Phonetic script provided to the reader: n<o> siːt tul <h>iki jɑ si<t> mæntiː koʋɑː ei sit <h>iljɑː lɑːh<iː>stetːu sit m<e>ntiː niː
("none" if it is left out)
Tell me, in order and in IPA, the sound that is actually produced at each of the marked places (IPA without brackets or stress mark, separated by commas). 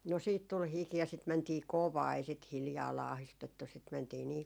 o, h, t, h, i, æ